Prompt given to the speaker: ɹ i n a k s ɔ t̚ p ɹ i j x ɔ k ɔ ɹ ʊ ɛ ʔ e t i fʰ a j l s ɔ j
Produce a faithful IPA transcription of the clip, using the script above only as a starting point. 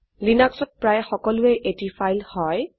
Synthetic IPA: l i n a k s ɔ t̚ p ɹ a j x ɔ k ɔ l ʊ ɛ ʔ e t i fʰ a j l h ɔ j